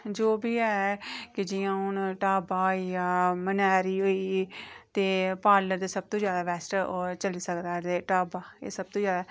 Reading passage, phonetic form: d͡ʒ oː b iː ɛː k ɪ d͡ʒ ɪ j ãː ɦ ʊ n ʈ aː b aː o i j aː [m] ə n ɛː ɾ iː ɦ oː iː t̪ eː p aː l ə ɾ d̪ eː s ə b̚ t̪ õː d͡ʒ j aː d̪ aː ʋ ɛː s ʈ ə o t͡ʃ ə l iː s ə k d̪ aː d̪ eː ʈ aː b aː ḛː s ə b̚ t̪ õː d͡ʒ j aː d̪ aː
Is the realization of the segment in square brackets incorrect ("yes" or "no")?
no